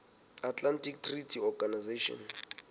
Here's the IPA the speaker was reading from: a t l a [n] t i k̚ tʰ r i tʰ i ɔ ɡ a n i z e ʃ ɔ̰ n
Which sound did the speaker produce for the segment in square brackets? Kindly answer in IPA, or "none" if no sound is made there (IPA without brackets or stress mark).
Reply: n